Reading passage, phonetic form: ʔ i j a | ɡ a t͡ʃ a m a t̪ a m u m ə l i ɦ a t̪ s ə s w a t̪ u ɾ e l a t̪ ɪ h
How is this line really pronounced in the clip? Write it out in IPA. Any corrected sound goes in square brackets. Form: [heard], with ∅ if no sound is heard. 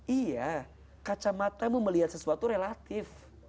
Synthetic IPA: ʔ i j a | [k] a t͡ʃ a m a t̪ a m u m ə l i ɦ a t̪ s ə s [u] a t̪ u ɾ e l a t̪ ɪ [f]

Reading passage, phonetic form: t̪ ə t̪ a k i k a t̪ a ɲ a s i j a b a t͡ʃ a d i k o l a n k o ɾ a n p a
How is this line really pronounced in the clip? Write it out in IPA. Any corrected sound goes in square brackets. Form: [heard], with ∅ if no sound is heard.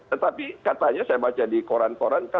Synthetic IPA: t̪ ə t̪ a [p] i k a t̪ a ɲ a s [a] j a b a t͡ʃ a d i k o [ɾ] a n k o ɾ a n [k] a

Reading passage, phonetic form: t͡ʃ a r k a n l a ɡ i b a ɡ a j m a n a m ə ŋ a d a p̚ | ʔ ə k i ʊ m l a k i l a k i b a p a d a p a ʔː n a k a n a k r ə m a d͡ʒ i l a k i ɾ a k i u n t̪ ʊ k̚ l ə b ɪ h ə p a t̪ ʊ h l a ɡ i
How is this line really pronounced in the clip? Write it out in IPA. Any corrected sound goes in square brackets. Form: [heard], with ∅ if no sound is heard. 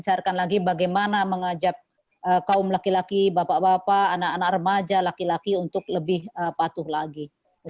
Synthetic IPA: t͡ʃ a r k a n l a ɡ i b a ɡ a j m a n a m ə ŋ a [d͡ʒ] a p̚ | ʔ ə k [a] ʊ m l a k i l a k i b a p a [b] a p a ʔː n a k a n a k r ə m a d͡ʒ [a] l a k i [l] a k i u n t̪ ʊ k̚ l ə b ɪ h ə p a t̪ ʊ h l a ɡ i

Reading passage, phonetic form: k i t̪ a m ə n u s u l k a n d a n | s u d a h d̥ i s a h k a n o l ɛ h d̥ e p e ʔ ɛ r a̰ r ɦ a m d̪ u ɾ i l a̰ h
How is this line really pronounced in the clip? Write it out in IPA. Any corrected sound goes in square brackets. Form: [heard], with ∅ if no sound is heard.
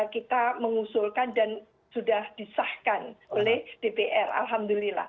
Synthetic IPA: k i t̪ a m ə [ŋ] u s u l k a n d a n | s u d a h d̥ i s a h k a n o l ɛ h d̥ e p e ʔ ɛ r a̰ [l] ɦ a m d̪ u [l] i l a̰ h

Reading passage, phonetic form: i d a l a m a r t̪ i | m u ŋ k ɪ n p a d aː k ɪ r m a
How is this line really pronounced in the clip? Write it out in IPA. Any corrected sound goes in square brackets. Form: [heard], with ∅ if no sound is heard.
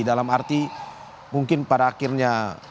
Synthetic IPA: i d a l a m a r t̪ i | m u ŋ k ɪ n p a d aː k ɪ r [ɲ] a

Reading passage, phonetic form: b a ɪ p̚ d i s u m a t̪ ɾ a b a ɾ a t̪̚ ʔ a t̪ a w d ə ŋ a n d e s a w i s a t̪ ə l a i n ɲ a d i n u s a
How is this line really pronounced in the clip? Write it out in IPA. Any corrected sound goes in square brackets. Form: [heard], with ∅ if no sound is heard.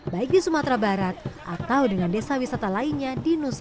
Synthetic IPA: b a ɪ [k̚] d i s u m a t̪ ɾ a b a ɾ a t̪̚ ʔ a t̪ a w d ə ŋ a n d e s a w i s a t̪ [a] l a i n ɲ a d i n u s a

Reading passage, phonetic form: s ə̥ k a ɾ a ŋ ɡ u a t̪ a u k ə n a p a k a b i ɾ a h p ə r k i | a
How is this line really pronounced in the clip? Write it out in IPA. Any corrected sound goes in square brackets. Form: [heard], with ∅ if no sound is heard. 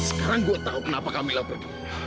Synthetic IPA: s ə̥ k a ɾ a ŋ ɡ u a t̪ a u k ə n a p a k a [m] i [l] a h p ə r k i | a

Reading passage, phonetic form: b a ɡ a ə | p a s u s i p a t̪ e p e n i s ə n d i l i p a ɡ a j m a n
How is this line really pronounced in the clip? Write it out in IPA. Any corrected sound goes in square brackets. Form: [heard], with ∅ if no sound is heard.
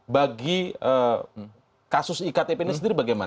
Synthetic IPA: b a ɡ [i] ə | [k] a s [ʊ] s i [k] a t̪ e p e n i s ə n d i [ɾ] i [b] a ɡ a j m a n

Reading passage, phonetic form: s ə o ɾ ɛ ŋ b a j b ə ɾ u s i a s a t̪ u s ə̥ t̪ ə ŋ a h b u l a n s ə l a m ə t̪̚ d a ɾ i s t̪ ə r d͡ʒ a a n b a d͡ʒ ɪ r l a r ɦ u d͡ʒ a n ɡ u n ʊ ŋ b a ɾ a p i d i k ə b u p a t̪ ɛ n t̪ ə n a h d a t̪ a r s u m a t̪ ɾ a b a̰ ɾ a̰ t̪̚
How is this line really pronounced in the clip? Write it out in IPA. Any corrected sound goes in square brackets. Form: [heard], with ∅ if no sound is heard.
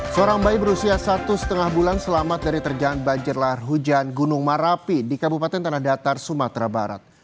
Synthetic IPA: s ə o ɾ [a] ŋ b a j b ə ɾ u s i a s a t̪ u s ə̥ t̪ ə ŋ a h b u l a n s ə l a m [a] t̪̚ d a ɾ i [∅] t̪ ə r d͡ʒ a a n b a d͡ʒ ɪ r l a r ɦ u d͡ʒ a n ɡ u n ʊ ŋ [m] a ɾ a p i d i k [a] b u p a t̪ ɛ n t̪ ə n a h d a t̪ a r s u m a t̪ ɾ a b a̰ ɾ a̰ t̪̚

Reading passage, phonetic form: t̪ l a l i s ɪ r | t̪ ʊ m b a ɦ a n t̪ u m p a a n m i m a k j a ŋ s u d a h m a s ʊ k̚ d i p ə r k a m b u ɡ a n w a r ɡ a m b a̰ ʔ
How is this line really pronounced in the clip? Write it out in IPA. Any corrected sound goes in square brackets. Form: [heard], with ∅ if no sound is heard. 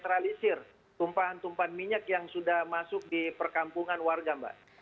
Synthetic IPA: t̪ [ɾ] a l i s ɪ r | t̪ [u] m [p] a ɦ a n t̪ u m p a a n m i [ɲ] a k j a ŋ s u d a h m a s ʊ k̚ d i p ə r k a m [p] u [ŋ] a n w a r ɡ a m b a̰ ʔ

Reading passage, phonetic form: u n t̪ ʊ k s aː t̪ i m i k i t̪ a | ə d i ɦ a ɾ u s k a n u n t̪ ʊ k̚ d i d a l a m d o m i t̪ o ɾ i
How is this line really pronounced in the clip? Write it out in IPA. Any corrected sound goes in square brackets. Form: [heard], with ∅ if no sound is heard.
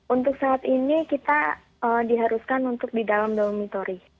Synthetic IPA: u n t̪ ʊ k s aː t̪ i [n] i k i t̪ a | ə d i ɦ a ɾ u s k a n u n t̪ ʊ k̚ d i d a l a m d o m i t̪ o ɾ i

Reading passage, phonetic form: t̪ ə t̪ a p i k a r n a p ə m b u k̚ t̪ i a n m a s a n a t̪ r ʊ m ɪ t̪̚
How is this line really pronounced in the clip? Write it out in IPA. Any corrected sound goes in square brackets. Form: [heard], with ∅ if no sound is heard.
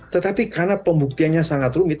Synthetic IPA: t̪ ə t̪ a p i k a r n a p ə m b u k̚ t̪ i a n [ɲ] a s a [ŋ] a t̪ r [u] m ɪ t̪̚

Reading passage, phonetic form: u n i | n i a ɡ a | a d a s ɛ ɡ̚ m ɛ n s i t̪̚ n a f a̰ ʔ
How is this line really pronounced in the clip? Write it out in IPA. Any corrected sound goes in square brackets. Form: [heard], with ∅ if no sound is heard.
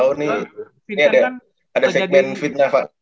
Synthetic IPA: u n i | n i a [d] a | a d a s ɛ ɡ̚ m ɛ n [f] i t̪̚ n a f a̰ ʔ

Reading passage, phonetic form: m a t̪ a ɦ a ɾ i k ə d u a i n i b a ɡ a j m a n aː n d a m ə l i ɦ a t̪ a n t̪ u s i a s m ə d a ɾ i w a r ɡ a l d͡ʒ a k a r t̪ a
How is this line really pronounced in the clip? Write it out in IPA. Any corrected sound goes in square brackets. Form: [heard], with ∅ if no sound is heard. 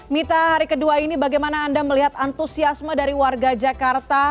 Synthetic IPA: m [i] t̪ a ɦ a ɾ i k ə d u a i n i b a ɡ a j m a n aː n d a m ə l i ɦ a t̪ a n t̪ u s i a s m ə d a ɾ i w a r ɡ a [∅] d͡ʒ a k a r t̪ a

